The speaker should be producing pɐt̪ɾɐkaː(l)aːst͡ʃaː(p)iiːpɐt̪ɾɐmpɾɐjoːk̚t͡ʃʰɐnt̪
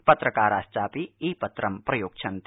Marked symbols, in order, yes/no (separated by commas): no, yes